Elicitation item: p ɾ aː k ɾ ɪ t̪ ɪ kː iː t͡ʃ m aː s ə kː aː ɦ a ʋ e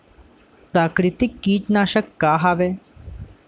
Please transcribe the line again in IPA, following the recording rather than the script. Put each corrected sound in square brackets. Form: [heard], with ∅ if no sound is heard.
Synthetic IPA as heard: p ɾ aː k ɾ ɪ t̪ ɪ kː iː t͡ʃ [n] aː [ʃ] ə kː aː ɦ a ʋ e